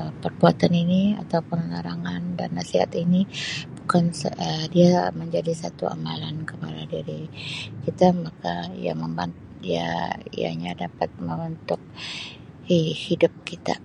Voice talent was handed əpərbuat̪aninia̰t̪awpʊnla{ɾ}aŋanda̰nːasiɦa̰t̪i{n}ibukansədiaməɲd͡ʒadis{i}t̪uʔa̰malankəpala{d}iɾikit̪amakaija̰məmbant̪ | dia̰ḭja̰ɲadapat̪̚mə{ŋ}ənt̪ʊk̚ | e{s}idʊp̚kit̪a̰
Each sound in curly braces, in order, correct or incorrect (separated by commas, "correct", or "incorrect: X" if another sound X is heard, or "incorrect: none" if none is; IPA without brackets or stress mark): correct, correct, incorrect: a, correct, incorrect: m, incorrect: h